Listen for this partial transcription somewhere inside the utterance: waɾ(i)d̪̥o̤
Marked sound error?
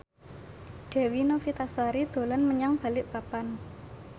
no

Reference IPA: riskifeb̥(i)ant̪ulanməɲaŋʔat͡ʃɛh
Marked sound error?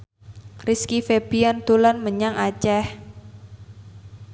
no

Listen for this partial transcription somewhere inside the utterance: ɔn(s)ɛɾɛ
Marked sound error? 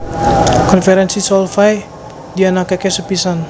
yes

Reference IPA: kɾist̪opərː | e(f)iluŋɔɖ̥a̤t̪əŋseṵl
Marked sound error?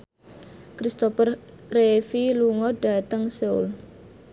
no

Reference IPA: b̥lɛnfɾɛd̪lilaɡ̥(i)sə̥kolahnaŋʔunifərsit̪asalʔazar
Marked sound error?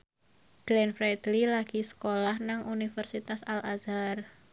no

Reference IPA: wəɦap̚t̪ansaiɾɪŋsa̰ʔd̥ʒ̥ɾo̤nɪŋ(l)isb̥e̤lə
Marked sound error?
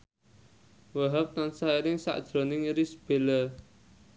yes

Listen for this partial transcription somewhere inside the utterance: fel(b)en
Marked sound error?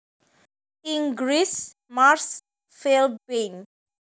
no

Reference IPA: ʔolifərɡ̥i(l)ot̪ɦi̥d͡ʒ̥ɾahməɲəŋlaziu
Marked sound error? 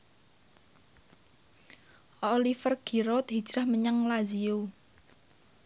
yes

